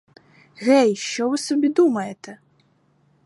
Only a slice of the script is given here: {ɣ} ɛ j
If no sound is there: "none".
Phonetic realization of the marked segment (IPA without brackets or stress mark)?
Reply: ɣ